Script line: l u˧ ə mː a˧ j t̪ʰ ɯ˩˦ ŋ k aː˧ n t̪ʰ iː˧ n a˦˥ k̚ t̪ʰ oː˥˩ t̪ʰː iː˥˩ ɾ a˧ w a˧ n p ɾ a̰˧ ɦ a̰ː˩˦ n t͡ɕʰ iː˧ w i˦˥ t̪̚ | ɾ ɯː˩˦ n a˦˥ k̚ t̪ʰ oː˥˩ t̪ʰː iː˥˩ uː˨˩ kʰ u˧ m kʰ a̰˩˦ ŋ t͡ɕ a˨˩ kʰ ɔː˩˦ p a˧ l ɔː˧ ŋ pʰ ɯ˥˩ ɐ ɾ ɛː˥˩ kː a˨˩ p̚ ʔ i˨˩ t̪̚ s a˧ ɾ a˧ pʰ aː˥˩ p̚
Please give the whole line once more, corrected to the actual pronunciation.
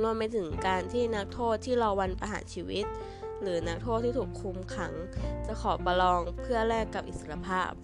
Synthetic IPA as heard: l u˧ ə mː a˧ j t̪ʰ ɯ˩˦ ŋ k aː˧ n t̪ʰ iː˥˩ n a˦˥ k̚ t̪ʰ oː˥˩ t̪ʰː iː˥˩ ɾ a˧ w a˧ n p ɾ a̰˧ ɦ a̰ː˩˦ n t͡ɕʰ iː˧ w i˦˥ t̪̚ | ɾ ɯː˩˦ n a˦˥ k̚ t̪ʰ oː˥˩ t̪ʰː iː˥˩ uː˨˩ kʰ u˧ m kʰ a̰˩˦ ŋ t͡ɕ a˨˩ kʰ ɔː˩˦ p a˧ l ɔː˧ ŋ pʰ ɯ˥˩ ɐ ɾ ɛː˥˩ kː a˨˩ p̚ ʔ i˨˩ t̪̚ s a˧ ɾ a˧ pʰ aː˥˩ p̚